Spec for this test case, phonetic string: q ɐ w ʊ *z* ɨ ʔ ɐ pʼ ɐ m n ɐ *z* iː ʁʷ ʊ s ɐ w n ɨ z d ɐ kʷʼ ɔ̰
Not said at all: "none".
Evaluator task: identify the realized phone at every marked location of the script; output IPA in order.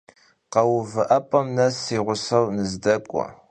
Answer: v, s

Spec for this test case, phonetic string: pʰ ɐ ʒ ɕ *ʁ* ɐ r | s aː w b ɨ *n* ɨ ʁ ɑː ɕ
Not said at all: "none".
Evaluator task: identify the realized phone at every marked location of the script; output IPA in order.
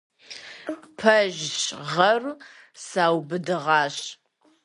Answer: ʁ, d

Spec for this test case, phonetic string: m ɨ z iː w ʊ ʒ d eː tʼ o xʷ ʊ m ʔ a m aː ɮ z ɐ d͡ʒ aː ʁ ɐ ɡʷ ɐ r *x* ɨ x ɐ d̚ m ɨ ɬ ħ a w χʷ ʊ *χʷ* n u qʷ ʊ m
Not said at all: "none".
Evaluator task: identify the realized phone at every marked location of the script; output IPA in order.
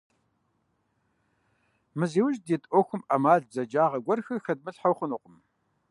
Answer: x, none

